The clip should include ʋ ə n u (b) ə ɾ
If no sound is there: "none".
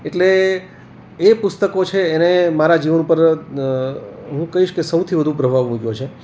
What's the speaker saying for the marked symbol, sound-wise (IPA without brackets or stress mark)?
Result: p